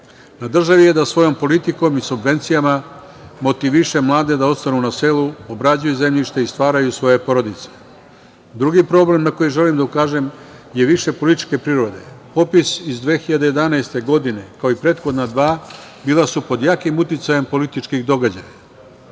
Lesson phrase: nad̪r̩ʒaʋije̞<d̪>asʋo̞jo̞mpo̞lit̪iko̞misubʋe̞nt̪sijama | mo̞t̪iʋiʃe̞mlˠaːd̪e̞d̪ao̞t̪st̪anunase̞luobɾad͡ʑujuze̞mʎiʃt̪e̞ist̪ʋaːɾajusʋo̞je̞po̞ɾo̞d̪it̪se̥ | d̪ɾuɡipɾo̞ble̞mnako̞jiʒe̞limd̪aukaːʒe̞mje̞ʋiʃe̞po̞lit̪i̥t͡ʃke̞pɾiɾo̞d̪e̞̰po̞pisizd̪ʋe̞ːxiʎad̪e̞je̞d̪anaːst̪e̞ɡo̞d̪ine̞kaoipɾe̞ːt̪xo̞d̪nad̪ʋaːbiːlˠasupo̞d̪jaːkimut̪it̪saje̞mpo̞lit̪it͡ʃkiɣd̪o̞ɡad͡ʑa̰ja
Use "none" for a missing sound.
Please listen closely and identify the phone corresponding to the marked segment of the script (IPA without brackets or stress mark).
d̪